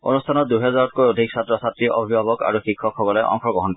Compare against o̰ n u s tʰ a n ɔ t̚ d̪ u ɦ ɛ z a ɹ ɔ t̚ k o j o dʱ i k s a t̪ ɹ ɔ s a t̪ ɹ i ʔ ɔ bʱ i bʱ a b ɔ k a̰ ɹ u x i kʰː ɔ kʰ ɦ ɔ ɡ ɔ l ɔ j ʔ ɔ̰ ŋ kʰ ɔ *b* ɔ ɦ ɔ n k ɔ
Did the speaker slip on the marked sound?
yes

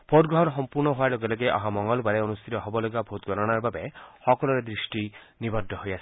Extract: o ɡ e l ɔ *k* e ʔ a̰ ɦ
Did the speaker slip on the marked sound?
yes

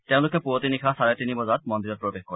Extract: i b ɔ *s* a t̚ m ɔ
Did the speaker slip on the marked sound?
yes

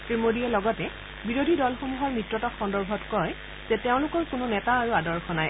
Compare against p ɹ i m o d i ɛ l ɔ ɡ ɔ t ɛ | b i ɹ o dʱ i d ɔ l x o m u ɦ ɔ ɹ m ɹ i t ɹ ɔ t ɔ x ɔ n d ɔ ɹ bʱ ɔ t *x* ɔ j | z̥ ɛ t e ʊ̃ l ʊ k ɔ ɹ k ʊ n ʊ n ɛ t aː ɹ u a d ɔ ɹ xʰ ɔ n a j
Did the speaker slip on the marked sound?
yes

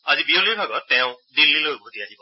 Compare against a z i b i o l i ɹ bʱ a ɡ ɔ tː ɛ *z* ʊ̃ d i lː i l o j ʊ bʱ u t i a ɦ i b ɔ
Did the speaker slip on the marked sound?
yes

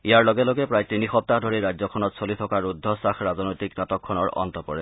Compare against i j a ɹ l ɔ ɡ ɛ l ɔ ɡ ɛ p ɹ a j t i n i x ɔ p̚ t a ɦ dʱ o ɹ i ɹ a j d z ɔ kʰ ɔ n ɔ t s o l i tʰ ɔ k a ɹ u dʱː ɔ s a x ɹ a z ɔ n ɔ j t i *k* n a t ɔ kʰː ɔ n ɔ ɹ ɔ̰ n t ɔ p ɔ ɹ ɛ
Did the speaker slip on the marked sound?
no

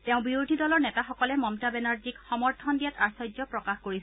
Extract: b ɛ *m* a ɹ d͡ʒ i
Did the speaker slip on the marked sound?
yes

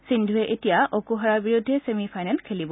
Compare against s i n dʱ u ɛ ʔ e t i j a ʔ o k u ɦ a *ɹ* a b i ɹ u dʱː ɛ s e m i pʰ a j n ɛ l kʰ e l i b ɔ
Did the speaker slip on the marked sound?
no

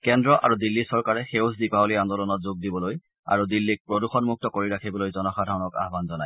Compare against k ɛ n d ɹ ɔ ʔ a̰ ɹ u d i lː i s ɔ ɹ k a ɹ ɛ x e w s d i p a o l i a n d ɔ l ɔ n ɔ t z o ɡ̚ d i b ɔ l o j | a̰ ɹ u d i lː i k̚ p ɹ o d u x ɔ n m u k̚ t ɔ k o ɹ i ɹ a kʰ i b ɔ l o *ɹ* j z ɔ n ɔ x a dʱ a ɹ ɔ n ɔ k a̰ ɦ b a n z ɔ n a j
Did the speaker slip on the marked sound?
yes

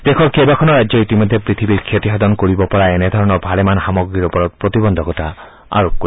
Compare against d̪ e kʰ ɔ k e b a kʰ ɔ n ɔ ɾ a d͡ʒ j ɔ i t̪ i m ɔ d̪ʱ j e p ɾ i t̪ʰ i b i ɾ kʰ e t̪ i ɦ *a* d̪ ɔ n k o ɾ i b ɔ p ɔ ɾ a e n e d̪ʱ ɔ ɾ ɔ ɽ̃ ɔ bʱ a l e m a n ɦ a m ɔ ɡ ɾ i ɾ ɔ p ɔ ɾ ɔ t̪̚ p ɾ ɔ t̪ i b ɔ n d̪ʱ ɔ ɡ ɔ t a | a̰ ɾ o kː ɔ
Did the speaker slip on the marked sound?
no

